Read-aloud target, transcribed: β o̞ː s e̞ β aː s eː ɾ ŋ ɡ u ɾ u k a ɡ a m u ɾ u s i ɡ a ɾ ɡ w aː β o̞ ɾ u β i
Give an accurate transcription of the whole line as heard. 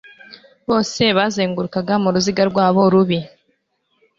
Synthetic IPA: β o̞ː s e̞ β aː z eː ŋ ɡ u ɾ u k a ɡ a m u ɾ u z i ɡ a ɾ ɡ w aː β o̞ ɾ u β i

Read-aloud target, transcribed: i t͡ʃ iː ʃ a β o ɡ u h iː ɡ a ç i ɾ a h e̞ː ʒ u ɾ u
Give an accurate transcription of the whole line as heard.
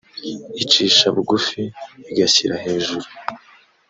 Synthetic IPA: i t͡ʃ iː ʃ a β u ɡ u f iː ɡ a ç i ɾ a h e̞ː ʒ u ɾ u

